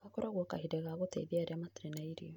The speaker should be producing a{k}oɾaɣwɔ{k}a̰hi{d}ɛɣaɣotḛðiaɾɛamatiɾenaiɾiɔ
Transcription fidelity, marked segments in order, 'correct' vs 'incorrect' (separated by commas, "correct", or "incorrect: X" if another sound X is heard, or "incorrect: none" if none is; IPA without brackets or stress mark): correct, correct, correct